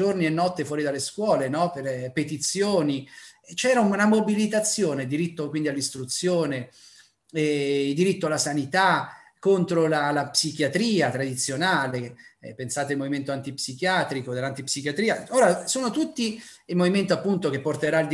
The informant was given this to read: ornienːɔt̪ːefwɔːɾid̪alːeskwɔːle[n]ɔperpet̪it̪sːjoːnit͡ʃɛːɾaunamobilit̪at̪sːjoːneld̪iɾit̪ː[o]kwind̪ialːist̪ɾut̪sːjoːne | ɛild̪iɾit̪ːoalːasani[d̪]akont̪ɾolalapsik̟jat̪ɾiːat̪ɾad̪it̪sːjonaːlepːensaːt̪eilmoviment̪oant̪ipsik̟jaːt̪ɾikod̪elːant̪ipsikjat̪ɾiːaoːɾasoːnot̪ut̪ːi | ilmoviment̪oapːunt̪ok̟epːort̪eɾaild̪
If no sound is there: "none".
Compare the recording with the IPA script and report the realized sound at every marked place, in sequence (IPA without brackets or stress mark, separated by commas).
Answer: n, o, t̪